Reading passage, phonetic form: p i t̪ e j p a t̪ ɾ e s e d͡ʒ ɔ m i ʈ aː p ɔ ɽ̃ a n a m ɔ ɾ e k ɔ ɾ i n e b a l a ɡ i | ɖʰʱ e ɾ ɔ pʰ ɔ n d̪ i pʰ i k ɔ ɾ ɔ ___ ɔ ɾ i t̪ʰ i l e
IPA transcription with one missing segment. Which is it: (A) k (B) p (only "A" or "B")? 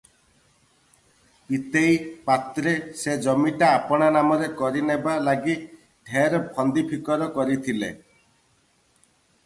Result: A